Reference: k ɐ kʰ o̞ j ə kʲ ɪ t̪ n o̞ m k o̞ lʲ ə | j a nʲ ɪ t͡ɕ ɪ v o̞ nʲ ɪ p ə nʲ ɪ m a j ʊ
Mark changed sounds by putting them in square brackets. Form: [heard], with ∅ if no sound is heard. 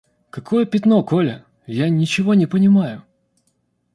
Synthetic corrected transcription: k ɐ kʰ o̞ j ə [pʲ] ɪ t̪ n o̞ [∅] k o̞ lʲ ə | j a nʲ ɪ t͡ɕ ɪ v o̞ nʲ ɪ p ə nʲ ɪ m a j ʊ